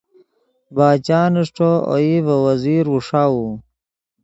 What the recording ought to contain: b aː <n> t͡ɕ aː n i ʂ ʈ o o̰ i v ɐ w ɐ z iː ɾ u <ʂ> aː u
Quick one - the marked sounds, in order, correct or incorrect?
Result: incorrect: none, correct

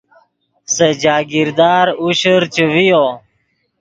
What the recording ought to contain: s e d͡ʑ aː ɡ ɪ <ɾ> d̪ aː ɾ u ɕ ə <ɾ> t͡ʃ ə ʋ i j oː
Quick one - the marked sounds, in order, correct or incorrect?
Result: correct, correct

